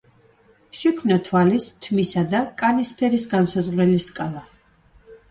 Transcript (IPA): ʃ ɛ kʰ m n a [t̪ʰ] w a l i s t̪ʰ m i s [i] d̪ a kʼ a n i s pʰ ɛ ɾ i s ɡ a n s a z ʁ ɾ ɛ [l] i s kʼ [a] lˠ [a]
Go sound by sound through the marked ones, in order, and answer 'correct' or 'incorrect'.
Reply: correct, incorrect, correct, correct, correct

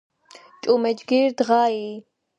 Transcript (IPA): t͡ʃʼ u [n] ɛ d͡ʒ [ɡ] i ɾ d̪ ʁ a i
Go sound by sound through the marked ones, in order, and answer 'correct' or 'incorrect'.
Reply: incorrect, correct

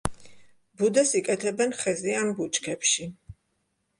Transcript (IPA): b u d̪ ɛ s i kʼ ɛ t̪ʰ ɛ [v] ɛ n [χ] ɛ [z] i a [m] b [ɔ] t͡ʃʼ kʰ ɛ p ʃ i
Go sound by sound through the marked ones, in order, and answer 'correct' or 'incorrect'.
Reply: incorrect, correct, correct, correct, incorrect

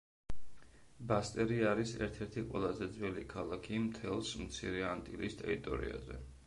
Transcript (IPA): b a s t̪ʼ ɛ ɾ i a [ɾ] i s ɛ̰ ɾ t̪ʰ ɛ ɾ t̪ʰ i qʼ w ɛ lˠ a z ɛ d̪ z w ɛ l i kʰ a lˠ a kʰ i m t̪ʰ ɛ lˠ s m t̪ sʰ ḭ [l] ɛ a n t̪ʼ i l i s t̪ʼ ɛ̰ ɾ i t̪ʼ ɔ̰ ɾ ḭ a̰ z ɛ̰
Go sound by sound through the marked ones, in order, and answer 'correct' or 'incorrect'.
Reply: correct, incorrect

